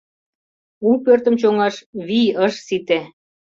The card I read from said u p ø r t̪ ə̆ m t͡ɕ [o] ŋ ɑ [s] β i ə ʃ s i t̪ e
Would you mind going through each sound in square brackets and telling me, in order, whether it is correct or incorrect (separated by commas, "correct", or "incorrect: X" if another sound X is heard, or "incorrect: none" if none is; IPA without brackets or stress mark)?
correct, incorrect: ʃ